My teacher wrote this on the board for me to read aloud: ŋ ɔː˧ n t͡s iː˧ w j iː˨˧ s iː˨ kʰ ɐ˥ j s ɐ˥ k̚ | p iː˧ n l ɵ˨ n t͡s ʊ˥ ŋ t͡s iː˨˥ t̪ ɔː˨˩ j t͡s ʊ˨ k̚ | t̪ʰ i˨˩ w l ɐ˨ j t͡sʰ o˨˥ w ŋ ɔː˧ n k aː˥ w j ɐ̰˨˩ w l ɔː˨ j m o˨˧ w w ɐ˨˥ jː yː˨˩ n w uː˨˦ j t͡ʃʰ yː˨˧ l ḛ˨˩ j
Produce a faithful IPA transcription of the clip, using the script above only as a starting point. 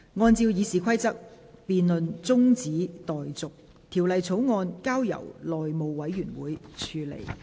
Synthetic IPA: ŋ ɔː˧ n t͡s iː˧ w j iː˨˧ s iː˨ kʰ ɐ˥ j t͡s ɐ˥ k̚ | p iː˧ n l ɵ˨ n t͡s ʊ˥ ŋ t͡s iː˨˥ t̪ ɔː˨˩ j t͡s ʊ˨ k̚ | t̪ʰ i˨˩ w l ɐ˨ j t͡sʰ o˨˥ w ŋ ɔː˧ n k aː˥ w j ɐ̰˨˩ w l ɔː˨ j m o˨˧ w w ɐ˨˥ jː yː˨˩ n w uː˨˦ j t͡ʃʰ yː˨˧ l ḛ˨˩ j